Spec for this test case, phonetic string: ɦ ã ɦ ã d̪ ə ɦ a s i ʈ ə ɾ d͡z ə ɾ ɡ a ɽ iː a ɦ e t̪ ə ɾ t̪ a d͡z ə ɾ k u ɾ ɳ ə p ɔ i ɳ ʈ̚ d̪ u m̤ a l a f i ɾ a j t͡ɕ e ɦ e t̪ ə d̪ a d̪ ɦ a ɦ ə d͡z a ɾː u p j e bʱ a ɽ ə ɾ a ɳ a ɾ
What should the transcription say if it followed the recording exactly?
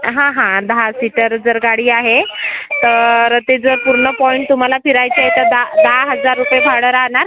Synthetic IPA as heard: ɦ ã ɦ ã d̪ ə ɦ a s i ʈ ə ɾ d͡z ə ɾ ɡ a ɽ iː a ɦ e t̪ ə ɾ t̪ e d͡z ə ɾ p u ɾ ɳ ə p ɔ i ɳ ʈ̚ t̪ u m̤ a l a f i ɾ a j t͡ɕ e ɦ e t̪ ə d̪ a d̪ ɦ a ɦ ə d͡z a ɾː u p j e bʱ a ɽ ə ɾ a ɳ a ɾ